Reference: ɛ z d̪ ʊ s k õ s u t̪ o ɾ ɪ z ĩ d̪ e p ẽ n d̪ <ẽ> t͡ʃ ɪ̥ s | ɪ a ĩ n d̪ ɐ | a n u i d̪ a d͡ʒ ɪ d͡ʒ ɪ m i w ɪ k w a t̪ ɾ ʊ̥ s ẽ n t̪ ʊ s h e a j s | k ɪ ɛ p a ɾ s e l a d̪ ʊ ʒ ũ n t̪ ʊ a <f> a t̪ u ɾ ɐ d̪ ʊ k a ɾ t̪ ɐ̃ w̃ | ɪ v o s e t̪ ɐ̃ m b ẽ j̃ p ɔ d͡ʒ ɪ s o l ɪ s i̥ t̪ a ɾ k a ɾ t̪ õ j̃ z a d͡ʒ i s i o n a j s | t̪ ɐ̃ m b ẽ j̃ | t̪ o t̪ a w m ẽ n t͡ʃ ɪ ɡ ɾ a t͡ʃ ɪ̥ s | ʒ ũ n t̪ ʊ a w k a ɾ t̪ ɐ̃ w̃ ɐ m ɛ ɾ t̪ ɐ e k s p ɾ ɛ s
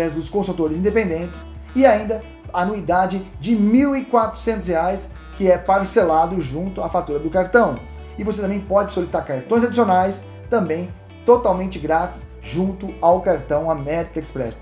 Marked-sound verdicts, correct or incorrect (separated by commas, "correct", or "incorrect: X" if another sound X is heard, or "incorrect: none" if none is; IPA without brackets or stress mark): correct, correct